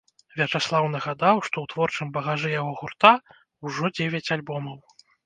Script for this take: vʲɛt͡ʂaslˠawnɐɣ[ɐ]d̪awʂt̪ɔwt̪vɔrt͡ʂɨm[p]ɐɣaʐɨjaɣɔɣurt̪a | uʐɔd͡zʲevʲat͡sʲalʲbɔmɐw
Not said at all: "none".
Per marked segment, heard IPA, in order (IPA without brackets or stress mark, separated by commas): a, b